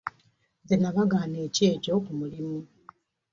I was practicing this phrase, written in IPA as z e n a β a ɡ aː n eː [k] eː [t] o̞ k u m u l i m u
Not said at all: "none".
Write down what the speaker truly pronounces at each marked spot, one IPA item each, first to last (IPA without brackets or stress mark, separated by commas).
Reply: c, c